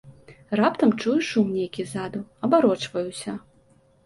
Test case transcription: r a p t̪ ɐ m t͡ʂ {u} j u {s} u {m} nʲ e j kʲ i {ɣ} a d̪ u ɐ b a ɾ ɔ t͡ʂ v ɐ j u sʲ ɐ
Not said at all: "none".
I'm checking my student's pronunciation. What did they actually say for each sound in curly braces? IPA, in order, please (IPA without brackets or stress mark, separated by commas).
u, ʂ, m, z